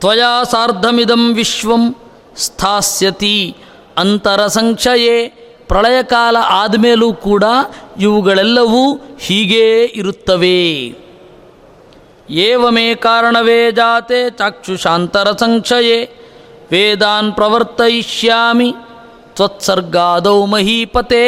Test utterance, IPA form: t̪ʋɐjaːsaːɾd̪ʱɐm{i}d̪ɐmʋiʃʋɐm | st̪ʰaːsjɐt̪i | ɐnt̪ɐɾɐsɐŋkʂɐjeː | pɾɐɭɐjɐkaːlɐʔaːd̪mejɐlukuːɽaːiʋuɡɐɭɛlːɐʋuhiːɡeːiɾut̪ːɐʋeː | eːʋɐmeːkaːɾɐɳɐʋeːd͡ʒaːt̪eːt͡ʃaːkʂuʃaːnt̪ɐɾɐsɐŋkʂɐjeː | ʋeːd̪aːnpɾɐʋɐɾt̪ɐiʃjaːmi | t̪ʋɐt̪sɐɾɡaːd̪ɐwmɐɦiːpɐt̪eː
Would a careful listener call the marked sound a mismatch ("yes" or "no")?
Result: no